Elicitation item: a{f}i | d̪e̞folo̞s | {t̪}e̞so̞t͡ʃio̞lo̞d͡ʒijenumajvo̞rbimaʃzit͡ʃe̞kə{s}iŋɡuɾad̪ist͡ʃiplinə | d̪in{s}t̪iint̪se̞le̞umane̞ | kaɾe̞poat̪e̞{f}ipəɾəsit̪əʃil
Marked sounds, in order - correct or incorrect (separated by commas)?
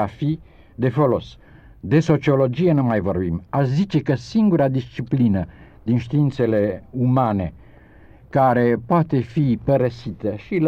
correct, incorrect, correct, incorrect, correct